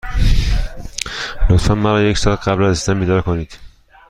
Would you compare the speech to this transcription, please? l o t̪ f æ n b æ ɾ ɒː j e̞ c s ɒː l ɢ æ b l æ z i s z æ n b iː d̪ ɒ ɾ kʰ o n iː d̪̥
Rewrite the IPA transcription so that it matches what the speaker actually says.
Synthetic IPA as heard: l o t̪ f æ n m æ ɾ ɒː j e̞ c s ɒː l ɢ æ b l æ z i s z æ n b iː d̪ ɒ ɾ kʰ o n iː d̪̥